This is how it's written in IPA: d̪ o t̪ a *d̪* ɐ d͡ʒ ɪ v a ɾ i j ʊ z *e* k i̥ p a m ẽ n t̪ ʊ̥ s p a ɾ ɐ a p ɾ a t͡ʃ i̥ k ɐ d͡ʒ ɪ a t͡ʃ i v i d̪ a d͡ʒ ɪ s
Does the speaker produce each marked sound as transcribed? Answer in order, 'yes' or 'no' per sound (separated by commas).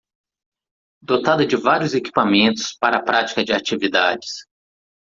yes, yes